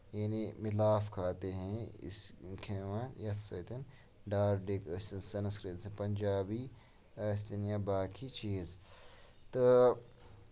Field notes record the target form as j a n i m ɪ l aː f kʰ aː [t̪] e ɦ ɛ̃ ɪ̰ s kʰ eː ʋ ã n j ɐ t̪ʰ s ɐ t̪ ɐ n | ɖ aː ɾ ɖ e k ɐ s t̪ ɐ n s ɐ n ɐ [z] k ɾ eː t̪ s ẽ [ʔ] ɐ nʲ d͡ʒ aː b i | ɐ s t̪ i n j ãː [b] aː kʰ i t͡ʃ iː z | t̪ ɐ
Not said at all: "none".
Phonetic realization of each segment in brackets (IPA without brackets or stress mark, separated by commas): t̪, s, p, b